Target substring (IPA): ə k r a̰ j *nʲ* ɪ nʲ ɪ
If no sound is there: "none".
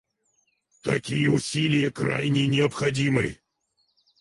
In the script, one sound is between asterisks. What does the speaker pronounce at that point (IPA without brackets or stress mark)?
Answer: nʲ